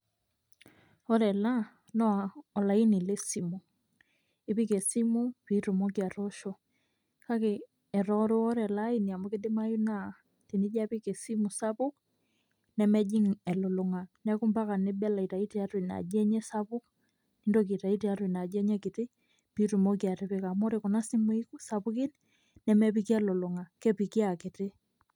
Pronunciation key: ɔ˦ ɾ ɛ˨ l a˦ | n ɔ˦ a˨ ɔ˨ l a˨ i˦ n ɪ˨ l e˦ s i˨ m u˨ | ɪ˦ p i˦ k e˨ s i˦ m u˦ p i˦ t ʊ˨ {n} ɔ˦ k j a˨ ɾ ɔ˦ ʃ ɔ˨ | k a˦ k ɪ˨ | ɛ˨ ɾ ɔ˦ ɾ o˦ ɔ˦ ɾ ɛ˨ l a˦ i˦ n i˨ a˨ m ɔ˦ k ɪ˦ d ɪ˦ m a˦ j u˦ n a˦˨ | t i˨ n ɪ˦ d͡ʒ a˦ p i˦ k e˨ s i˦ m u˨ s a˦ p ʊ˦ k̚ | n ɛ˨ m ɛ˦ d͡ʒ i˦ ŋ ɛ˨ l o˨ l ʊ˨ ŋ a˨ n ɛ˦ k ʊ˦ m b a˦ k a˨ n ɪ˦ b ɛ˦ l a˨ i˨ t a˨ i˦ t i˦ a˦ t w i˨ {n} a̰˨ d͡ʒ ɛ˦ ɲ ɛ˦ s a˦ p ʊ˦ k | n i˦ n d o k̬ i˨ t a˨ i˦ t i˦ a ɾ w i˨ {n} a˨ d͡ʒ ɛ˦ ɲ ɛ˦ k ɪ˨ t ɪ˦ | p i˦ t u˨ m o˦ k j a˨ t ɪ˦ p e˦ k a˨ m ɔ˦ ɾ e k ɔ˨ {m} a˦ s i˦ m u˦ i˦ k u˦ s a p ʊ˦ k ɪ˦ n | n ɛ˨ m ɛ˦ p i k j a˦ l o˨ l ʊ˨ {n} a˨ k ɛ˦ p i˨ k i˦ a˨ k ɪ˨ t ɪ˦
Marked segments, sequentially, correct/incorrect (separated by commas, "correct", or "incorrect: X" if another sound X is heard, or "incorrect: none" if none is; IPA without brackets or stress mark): incorrect: m, correct, correct, incorrect: n, incorrect: ŋ